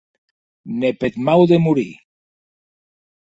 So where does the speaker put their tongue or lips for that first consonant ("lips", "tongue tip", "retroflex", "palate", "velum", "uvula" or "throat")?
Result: tongue tip